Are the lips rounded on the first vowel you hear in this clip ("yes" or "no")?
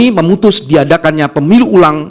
no